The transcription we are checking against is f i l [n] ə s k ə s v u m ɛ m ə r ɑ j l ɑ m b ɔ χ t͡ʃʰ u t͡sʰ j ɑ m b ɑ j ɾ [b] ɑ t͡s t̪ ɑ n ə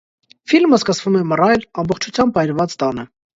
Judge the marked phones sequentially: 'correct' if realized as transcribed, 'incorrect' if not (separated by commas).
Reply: incorrect, incorrect